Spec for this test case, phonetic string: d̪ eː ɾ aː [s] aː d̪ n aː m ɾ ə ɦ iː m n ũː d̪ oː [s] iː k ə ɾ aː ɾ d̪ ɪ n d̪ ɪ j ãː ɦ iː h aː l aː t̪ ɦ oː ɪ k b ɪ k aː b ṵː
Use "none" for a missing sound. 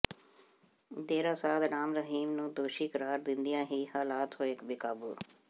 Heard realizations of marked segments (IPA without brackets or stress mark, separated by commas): s, ʃ